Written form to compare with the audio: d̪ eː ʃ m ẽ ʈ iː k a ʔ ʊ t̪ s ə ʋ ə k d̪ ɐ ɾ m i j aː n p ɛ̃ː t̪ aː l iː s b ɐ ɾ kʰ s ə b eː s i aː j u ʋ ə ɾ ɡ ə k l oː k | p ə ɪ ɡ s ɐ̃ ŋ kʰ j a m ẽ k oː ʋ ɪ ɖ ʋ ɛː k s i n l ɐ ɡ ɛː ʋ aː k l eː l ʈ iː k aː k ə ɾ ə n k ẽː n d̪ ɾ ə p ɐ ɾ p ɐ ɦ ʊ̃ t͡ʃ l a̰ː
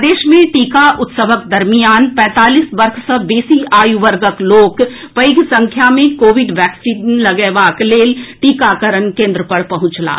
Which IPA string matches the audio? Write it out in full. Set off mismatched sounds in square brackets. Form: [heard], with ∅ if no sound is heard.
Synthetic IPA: d̪ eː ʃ m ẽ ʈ iː k a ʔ ʊ t̪ s ə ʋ ə k d̪ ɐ ɾ m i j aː n p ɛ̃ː t̪ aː l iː s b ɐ ɾ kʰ s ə b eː s i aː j u ʋ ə ɾ ɡ ə k l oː k | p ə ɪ ɡ s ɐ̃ ŋ kʰ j a m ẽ k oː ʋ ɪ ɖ ʋ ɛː k s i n l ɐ ɡ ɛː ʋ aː k l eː l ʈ iː k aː k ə ɾ ə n k ẽː n d̪ ɾ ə p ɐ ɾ p ɐ ɦ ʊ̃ t͡ʃ l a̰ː